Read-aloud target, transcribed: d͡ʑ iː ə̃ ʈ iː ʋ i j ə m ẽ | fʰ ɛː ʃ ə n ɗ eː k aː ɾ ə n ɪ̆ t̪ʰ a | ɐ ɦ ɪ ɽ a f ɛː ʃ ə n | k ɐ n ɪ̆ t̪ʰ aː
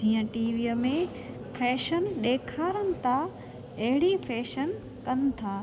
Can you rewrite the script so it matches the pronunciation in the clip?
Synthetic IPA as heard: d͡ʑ iː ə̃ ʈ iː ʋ i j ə m ẽ | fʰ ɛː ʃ ə n ɗ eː kʰ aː ɾ ə n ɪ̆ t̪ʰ a | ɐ ɦ ɪ ɽ i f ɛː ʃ ə n | k ɐ n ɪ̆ t̪ʰ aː